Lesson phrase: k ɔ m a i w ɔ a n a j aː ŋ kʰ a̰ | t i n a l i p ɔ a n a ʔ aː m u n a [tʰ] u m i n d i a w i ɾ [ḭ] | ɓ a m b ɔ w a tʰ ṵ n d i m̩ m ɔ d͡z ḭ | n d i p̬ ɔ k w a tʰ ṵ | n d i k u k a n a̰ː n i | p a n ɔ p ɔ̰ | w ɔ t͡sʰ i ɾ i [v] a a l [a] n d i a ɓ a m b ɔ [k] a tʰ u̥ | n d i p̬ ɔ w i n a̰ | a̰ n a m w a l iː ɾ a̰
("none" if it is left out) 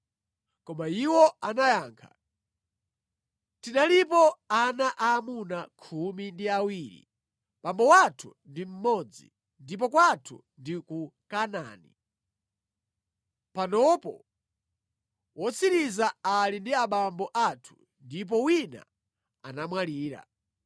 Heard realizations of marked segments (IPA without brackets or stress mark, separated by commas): kʰ, ḭ, z, i, ʔ